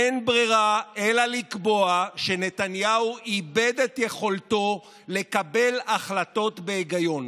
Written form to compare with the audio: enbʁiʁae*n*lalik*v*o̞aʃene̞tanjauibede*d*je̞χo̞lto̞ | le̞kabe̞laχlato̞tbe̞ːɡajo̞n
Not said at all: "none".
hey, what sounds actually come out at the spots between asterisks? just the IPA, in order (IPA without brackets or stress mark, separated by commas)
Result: none, b, t